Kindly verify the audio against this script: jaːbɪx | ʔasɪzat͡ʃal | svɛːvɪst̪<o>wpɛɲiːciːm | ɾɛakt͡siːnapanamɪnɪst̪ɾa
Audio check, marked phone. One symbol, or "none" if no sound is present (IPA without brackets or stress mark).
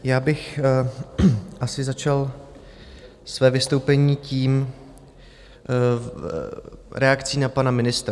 o